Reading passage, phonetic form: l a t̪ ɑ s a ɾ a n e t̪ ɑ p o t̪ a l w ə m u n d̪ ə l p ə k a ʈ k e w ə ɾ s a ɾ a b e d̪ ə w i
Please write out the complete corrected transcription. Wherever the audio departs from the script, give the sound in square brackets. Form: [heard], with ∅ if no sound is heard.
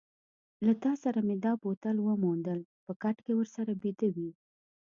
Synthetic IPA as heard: l a t̪ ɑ s a ɾ a [m] e [d̪] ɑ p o t̪ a l w ə m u n d̪ ə l p ə k a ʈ k e w ə ɾ s a ɾ a b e d̪ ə w i